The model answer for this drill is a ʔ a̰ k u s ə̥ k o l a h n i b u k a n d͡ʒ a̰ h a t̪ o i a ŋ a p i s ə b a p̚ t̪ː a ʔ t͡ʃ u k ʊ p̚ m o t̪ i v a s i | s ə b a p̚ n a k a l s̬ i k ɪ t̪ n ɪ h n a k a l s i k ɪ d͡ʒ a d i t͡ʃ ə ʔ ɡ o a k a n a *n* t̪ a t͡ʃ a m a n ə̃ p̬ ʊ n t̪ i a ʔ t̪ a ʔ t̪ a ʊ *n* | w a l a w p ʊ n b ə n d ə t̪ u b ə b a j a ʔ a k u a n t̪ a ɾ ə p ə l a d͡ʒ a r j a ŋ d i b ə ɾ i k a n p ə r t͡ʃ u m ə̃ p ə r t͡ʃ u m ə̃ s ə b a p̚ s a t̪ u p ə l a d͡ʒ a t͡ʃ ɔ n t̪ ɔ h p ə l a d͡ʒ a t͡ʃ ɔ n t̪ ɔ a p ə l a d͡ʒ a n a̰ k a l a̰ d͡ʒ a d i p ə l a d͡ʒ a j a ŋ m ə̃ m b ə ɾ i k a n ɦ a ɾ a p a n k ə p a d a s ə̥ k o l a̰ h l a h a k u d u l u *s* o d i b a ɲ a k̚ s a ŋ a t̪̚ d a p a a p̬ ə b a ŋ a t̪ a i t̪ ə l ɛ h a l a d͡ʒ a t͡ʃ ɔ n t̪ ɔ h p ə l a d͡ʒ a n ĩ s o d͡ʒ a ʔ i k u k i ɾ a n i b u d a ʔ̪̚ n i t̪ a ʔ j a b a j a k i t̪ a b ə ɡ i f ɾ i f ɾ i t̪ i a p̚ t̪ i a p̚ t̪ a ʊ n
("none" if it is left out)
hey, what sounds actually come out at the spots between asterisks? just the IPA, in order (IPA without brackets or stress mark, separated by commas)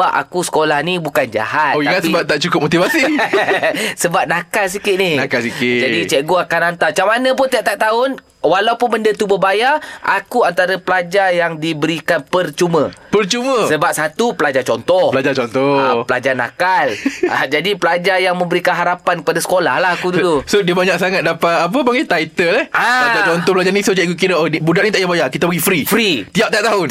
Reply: n, n, s